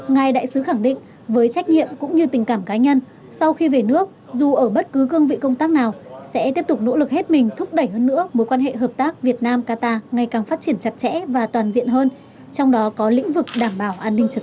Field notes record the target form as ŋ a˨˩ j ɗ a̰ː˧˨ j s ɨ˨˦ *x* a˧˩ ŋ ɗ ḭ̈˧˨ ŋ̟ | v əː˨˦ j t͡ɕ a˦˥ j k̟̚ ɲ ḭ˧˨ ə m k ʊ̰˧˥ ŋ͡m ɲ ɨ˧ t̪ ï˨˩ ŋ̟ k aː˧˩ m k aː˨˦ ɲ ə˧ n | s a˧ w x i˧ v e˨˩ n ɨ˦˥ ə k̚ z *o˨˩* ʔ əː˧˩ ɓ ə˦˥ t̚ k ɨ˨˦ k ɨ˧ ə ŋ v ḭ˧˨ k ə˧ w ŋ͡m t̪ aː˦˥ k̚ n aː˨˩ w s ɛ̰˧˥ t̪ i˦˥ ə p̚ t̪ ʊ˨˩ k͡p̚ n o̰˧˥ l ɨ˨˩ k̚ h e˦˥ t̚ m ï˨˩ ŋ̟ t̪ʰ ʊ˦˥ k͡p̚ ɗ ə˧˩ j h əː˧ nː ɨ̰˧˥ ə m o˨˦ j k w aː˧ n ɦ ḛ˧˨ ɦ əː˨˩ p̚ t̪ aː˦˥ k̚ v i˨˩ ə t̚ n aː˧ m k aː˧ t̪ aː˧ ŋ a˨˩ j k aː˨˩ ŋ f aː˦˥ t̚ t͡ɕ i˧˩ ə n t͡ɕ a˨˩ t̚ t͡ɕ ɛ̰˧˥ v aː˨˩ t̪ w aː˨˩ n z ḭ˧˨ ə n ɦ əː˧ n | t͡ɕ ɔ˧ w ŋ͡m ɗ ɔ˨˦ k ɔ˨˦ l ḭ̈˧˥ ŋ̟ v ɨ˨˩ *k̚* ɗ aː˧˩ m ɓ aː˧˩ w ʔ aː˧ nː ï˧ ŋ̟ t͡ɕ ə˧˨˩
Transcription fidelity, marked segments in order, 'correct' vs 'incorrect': correct, incorrect: u˨˩, correct

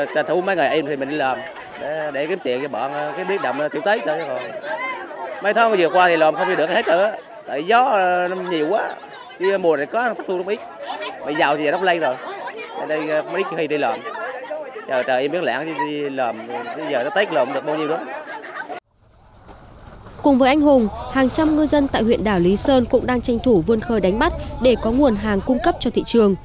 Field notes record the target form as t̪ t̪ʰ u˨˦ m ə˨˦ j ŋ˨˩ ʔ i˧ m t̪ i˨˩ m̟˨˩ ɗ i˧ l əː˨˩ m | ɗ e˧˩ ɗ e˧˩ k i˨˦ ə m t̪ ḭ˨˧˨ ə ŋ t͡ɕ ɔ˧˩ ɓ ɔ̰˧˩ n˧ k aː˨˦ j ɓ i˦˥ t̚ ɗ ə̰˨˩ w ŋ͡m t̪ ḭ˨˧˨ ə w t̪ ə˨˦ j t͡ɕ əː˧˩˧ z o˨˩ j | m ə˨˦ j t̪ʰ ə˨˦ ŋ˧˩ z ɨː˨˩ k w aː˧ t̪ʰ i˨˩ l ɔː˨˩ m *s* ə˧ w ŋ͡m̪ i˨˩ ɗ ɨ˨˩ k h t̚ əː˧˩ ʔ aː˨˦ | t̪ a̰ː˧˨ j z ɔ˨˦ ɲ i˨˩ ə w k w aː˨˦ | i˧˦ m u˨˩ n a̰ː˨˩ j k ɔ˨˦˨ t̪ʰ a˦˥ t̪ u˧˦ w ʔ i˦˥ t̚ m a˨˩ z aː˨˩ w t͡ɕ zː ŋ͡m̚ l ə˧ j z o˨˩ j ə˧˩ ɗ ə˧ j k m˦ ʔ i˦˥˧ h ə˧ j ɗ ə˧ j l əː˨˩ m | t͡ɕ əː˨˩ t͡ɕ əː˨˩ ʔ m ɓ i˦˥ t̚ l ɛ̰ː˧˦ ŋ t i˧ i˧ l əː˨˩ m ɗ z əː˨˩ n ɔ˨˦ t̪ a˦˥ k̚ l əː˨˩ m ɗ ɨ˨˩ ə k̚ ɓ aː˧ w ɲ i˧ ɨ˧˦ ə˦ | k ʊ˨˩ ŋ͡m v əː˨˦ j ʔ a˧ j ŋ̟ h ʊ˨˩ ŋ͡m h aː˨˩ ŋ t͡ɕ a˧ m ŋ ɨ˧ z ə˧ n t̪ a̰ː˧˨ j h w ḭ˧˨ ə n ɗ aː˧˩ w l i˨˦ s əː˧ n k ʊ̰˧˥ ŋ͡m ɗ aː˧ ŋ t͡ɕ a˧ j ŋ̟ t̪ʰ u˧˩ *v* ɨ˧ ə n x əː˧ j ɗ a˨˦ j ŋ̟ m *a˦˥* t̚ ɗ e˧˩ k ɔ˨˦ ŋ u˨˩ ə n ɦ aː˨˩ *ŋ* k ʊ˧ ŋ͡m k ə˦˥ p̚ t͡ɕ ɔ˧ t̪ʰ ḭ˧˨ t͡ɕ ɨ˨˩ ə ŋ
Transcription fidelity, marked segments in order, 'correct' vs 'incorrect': incorrect: x, correct, correct, correct

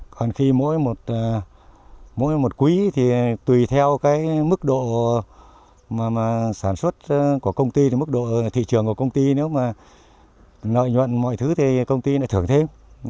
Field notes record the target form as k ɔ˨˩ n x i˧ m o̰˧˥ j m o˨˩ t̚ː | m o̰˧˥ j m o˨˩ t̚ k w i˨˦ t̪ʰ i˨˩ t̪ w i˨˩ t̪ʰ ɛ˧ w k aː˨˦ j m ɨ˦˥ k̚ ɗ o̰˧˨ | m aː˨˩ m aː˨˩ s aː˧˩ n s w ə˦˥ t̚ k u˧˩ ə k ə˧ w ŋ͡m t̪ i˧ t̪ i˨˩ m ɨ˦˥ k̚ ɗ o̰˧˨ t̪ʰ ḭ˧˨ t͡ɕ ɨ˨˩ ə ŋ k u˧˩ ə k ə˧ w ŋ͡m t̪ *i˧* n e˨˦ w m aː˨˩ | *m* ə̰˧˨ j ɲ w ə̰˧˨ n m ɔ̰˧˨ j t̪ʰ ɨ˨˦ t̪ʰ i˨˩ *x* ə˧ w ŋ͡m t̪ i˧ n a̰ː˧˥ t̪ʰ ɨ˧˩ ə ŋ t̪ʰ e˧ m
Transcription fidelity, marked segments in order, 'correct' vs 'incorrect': correct, incorrect: n, incorrect: k

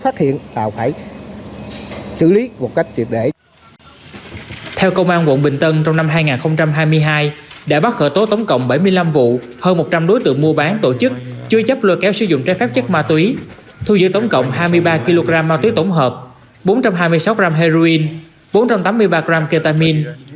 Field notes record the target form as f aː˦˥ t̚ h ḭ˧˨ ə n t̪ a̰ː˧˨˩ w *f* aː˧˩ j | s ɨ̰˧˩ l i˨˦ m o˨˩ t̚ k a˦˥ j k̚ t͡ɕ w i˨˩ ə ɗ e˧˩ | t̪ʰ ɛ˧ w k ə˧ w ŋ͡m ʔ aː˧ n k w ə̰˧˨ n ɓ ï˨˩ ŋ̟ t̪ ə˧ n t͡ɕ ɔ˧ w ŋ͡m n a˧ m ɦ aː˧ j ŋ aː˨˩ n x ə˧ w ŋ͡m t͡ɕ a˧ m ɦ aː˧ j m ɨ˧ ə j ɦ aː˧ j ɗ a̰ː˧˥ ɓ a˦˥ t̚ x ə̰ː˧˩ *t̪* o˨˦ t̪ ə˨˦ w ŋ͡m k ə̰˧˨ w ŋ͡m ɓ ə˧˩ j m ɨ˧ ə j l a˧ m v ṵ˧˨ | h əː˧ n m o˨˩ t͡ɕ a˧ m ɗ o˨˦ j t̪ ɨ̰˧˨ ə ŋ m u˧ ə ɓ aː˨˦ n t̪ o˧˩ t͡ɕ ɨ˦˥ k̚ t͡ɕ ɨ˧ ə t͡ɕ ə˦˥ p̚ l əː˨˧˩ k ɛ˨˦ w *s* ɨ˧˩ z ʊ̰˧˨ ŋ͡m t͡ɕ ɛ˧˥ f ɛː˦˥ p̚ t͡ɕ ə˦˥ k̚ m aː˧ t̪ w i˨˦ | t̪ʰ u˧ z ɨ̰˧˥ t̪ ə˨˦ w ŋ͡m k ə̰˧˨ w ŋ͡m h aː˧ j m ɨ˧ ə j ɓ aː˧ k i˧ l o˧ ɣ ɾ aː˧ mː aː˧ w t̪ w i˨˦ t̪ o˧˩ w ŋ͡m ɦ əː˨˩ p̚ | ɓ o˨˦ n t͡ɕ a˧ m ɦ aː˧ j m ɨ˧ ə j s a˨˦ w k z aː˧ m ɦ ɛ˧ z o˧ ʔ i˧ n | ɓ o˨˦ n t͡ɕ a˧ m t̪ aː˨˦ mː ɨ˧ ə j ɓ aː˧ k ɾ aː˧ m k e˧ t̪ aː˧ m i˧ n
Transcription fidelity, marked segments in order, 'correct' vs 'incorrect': correct, correct, correct

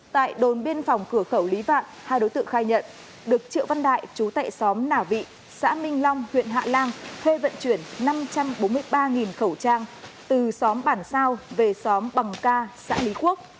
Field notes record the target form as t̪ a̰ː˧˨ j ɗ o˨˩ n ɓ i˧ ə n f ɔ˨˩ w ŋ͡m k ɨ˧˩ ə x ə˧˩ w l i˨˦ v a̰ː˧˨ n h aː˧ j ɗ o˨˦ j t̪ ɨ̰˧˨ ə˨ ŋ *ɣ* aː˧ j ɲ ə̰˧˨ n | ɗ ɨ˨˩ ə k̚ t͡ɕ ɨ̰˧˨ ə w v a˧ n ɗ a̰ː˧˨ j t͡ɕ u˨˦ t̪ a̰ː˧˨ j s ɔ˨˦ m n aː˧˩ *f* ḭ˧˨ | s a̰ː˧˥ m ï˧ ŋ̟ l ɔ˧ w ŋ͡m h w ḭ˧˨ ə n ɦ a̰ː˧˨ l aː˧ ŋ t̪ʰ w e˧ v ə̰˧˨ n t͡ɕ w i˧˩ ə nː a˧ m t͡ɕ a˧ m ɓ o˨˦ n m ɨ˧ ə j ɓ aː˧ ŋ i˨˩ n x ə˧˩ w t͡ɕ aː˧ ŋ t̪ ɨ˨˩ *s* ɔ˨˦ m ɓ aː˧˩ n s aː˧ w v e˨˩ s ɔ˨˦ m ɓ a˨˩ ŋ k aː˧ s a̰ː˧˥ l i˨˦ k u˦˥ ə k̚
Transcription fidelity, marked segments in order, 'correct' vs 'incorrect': incorrect: x, incorrect: v, correct

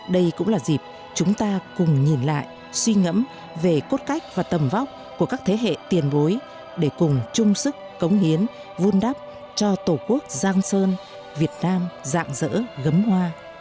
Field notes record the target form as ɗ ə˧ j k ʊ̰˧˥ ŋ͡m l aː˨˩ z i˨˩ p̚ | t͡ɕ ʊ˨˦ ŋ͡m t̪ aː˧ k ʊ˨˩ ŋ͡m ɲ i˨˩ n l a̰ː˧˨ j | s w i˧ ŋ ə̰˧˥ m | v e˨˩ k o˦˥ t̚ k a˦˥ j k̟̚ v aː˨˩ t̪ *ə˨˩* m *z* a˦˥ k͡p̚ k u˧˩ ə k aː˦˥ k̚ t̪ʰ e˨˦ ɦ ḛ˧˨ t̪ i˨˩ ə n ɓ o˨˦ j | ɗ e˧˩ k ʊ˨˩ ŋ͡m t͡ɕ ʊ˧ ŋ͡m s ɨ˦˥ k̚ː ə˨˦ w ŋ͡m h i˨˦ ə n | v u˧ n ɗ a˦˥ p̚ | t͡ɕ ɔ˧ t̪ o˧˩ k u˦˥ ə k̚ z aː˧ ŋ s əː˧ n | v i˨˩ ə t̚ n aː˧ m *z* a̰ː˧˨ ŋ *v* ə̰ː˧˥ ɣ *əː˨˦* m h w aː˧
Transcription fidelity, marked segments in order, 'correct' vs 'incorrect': correct, incorrect: v, correct, incorrect: z, incorrect: ə˨˦

